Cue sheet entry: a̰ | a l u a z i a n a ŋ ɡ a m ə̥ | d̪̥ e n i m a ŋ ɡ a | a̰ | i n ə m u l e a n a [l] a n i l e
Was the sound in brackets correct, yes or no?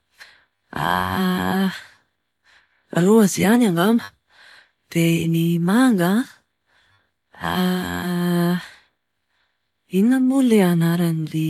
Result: no